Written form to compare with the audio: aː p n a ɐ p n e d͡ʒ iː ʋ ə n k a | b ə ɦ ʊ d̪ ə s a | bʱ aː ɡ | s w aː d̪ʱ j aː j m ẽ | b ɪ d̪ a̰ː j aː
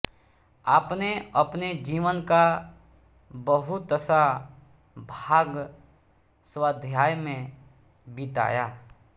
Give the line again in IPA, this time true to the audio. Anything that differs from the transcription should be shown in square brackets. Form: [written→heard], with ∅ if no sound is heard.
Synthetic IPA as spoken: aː p n [a→e] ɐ p n e d͡ʒ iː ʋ ə n k a | b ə ɦ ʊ [d̪→t̪] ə s a | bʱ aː ɡ | s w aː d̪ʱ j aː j m ẽ | b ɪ [d̪→t̪] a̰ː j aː